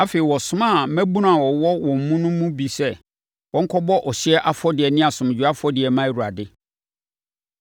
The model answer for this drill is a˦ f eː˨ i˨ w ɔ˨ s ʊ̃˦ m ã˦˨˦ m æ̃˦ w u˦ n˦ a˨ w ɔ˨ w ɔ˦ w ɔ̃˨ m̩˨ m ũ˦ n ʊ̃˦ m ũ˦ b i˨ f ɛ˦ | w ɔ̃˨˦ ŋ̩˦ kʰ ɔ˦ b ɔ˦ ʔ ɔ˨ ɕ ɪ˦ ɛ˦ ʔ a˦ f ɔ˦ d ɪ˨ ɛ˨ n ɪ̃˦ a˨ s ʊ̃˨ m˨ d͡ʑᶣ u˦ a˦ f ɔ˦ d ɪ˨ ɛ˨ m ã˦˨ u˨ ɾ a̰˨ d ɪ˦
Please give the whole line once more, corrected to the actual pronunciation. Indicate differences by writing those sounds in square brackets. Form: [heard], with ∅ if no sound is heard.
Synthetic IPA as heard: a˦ f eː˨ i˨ w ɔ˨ s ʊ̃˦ m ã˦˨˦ m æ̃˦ [b] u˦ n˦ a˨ w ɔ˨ w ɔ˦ w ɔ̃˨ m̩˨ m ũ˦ n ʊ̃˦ m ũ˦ b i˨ [s] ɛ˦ | w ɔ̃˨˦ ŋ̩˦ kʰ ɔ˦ b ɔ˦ ʔ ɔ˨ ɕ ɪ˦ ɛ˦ ʔ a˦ f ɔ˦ d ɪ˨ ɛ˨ n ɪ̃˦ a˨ s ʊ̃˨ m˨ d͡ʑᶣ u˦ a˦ f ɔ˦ d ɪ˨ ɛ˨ m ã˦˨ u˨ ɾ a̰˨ d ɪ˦